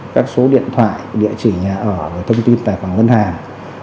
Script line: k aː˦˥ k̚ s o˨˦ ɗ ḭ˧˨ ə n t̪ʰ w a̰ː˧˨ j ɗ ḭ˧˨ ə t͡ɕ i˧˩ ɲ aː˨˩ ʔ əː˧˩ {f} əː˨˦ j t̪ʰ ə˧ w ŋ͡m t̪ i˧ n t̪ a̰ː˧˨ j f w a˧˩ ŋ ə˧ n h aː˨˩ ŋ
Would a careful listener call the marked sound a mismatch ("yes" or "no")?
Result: yes